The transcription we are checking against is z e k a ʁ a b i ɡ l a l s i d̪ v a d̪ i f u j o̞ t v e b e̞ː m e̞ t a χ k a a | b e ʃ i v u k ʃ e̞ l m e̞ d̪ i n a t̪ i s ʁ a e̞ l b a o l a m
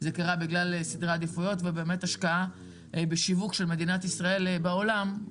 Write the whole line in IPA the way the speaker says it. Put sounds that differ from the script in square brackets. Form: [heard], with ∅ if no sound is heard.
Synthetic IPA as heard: z e k a ʁ a b i ɡ l a l s i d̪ [ʁ] a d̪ i f u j o̞ t v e b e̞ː m e̞ t a [ʃ] k a a | b e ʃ i v u k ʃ e̞ l m e̞ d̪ i n a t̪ i s ʁ a e̞ l b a o l a m